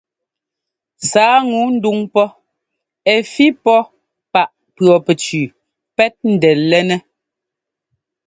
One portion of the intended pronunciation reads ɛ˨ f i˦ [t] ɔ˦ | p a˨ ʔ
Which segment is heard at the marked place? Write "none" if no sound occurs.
p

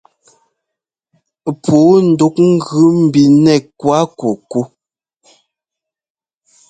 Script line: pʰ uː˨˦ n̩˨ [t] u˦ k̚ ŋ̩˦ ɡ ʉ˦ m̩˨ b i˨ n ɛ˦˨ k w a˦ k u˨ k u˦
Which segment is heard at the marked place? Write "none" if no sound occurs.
d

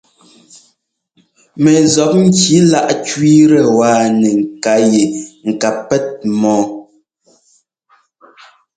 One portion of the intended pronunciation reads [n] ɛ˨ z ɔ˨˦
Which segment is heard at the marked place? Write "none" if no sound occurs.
m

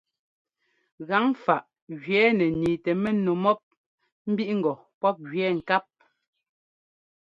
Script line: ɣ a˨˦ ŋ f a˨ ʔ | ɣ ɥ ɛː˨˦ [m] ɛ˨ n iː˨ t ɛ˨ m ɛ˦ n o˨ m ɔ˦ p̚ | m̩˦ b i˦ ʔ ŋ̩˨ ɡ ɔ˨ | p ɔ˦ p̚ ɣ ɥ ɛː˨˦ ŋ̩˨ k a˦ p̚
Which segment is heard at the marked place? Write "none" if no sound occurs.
n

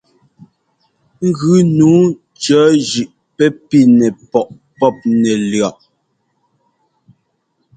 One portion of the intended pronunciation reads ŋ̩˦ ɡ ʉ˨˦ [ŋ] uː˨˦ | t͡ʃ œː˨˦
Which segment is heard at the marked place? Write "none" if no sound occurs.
n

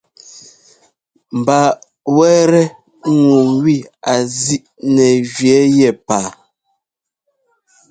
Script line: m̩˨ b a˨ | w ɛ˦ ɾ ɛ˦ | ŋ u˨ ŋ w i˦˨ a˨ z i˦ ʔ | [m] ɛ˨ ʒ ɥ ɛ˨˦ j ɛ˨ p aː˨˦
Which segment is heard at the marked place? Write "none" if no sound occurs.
n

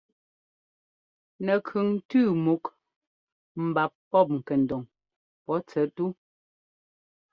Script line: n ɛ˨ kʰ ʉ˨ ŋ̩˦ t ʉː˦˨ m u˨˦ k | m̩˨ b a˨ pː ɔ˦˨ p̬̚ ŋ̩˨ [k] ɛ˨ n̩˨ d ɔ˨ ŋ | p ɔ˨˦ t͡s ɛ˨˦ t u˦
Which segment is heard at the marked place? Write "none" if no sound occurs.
k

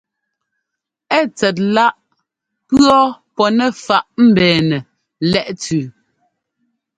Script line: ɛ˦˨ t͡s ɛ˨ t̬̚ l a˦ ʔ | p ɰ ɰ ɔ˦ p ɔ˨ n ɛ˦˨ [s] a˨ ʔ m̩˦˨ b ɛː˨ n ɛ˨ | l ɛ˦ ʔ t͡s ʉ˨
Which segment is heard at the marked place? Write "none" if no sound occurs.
f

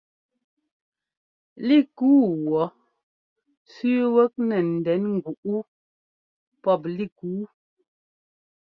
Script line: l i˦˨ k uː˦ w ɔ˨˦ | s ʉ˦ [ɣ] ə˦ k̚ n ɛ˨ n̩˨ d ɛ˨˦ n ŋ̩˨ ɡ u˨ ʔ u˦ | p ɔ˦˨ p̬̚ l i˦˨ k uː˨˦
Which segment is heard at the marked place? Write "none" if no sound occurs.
w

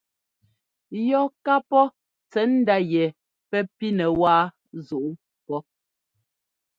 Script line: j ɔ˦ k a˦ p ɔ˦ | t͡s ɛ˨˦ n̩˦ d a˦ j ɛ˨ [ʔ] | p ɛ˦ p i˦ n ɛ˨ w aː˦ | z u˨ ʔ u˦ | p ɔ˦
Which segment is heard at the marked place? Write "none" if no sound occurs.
none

